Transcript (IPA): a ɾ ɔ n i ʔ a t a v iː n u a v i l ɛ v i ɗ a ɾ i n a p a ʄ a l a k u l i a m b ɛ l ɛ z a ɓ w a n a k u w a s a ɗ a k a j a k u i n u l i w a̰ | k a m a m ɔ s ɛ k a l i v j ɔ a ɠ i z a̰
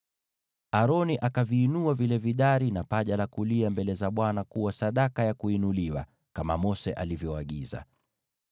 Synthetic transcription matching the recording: a ɾ ɔ n i ʔ a k a v iː n u a v i l ɛ v i ɗ a ɾ i n a p a ʄ a l a k u l i a m b ɛ l ɛ z a ɓ w a n a k u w a s a ɗ a k a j a k u i n u l i w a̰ | k a m a m ɔ s ɛ ʔ a l i v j ɔ a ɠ i z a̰

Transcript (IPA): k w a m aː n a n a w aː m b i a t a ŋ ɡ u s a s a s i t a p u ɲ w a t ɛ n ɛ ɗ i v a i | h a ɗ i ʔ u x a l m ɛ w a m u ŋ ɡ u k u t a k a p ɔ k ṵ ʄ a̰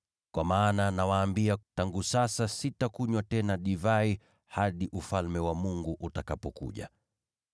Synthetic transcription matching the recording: k w a m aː n a n a w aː m b i a t a ŋ ɡ u s a s a s i t a k u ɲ w a t ɛ n a ɗ i v a i | h a ɗ i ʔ u f a l m ɛ w a m u ŋ ɡ u ʔ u t a k a p ɔ k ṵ ʄ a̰

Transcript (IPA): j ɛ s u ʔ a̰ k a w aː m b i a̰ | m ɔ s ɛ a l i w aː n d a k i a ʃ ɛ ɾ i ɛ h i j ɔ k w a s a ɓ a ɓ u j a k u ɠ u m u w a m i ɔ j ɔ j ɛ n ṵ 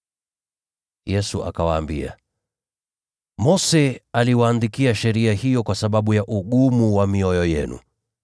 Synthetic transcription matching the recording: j ɛ s u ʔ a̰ k a w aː m b i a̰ | m ɔ s ɛ a l i w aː n d i k i a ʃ ɛ ɾ i a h i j ɔ k w a s a ɓ a ɓ u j a ʔ u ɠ u m u w a m i ɔ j ɔ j ɛ n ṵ

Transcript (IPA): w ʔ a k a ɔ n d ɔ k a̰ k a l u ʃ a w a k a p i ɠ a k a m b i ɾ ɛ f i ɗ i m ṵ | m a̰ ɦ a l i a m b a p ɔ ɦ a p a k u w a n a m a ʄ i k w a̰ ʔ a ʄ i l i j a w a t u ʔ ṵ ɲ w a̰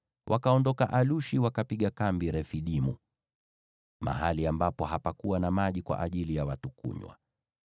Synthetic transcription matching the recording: w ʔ a k a ɔ n d ɔ k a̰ ʔ a l u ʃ i w a k a p i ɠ a k a m b i ɾ ɛ f i ɗ i m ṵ | m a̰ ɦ a l i a m b a p ɔ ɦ a p a k u w a n a m a ʄ i k w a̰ ʔ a ʄ i l i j a w a t u k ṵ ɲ w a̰

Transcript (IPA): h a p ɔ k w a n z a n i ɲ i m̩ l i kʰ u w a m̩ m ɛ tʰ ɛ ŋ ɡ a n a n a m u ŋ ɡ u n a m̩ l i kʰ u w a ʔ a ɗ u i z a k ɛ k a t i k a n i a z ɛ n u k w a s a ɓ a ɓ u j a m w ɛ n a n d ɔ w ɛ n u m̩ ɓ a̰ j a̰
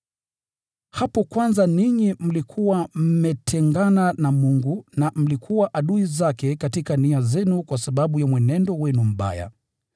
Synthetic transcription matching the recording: h a p ɔ k w a n z a n i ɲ i m̩ l i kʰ u w a m̩ m ɛ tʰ ɛ ŋ ɡ a n a n a m u ŋ ɡ u n a m̩ l i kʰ u w a ʔ a ɗ u i z a k ɛ k a t i k a n i a z ɛ n u k w a s a ɓ a ɓ u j a m w ɛ n ɛ n d ɔ w ɛ n u m̩ ɓ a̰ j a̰

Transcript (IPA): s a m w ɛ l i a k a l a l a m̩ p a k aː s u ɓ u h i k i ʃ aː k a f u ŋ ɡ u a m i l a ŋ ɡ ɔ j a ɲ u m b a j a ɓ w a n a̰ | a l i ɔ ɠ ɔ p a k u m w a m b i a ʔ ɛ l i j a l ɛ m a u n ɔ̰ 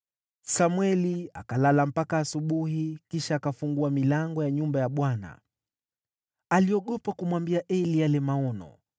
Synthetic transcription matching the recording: s a m w ɛ l i a k a l a l a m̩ p a k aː s u ɓ u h i k i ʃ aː k a f u ŋ ɡ u a m i l a ŋ ɡ ɔ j a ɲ u m b a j a ɓ w a n a̰ | a l i ɔ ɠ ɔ p a k u m w a m b i a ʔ ɛ l i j a l ɛ m a ɔ n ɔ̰

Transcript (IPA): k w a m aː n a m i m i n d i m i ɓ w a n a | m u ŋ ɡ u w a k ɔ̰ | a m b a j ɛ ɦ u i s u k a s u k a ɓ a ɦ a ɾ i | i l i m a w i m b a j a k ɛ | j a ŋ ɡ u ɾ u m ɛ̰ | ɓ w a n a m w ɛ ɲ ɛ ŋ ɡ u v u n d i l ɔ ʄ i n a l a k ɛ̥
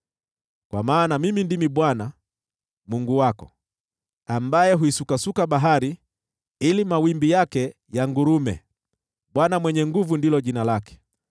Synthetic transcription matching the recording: k w a m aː n a m i m i n d i m i ɓ w a n a | m u ŋ ɡ u w a k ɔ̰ | a m b a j ɛ ɦ u i s u k a s u k a ɓ a ɦ a ɾ i | i l i m a w i m b i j a k ɛ | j a ŋ ɡ u ɾ u m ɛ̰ | ɓ w a n a m w ɛ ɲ ɛ ŋ ɡ u v u n d i l ɔ ʄ i n a l a k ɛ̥

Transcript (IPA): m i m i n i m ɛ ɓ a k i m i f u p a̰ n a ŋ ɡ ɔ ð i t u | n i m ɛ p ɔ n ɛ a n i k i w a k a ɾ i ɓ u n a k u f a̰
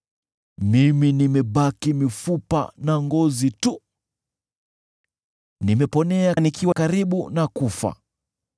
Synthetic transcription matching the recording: m i m i n i m ɛ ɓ a k i m i f u p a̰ n a ŋ ɡ ɔ z i t u | n i m ɛ p ɔ n ɛ a n i k i w a k a ɾ i ɓ u n a k u f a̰

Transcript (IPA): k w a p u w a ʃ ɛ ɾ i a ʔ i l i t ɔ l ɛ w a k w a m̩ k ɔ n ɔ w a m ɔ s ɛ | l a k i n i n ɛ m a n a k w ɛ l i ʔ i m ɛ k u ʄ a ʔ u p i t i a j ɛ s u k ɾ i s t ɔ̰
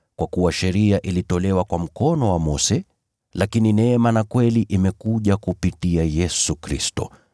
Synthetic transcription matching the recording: k w a k u w a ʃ ɛ ɾ i a ʔ i l i t ɔ l ɛ w a k w a m̩ k ɔ n ɔ w a m ɔ s ɛ | l a k i n i n ɛ m a n a k w ɛ l i ʔ i m ɛ k u ʄ a k u p i t i a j ɛ s u k ɾ i s t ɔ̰

